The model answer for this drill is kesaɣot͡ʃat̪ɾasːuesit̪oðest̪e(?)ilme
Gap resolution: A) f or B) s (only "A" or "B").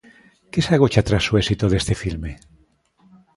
A